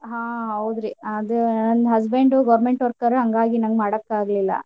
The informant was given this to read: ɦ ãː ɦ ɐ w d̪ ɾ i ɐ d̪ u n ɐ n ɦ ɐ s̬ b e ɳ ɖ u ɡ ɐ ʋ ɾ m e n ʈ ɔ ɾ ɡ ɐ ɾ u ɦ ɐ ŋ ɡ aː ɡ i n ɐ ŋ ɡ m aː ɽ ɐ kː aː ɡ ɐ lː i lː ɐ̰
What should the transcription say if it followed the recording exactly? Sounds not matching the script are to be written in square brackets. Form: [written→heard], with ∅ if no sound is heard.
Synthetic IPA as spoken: ɦ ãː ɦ ɐ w d̪ ɾ i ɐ d̪ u n ɐ n ɦ ɐ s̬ b e ɳ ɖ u ɡ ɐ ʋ ɾ m e [n→ɳ] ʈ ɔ ɾ [ɡ→k] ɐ ɾ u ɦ ɐ ŋ ɡ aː ɡ i n ɐ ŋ ɡ m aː ɽ ɐ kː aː ɡ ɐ [lː→l] i lː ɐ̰